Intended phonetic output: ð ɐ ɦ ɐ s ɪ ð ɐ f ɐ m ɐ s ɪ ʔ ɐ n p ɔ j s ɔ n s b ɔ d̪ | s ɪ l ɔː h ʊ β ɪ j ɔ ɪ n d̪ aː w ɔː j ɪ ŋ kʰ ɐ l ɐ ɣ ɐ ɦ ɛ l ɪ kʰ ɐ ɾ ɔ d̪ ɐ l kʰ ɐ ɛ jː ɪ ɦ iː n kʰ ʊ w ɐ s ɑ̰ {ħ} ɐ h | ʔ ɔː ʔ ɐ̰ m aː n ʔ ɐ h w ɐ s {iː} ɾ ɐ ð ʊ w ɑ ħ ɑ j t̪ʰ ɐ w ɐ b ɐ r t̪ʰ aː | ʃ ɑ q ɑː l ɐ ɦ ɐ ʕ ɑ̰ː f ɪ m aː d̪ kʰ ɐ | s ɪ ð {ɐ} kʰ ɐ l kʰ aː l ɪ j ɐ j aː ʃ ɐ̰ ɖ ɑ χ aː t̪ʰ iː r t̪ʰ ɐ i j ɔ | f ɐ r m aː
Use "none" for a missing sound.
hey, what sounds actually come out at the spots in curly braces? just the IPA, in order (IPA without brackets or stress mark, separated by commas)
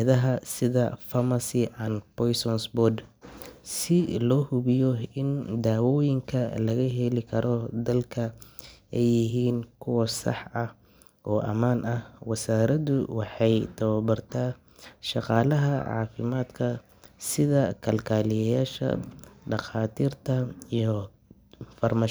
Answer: ħ, aː, ɐ